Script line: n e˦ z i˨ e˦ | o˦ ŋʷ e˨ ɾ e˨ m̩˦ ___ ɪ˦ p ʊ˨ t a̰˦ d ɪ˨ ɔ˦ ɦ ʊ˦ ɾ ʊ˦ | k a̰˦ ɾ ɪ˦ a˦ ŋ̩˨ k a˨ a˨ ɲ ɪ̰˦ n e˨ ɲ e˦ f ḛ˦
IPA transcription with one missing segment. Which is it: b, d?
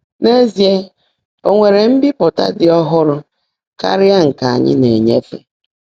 b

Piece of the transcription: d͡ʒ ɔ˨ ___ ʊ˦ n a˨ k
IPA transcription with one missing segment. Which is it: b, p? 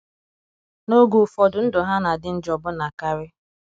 b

